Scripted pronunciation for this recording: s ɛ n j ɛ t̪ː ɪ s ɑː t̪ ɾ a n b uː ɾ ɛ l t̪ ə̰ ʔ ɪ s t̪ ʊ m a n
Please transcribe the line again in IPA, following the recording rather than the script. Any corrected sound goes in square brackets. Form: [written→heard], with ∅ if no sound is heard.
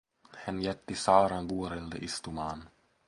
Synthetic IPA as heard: [s→h] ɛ n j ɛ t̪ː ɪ s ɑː [t̪→∅] ɾ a n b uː ɾ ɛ l [t̪→d̪] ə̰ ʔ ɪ s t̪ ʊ m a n